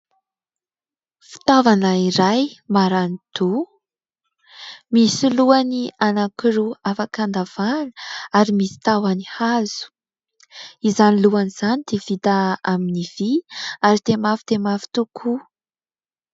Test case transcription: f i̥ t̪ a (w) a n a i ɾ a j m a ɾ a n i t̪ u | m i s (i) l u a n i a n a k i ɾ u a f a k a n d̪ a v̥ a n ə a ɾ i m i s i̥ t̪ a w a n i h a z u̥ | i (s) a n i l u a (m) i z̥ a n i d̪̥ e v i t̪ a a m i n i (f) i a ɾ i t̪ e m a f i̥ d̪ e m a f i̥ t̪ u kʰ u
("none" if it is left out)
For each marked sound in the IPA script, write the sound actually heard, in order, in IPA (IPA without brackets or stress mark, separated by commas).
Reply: v, i, z, n, v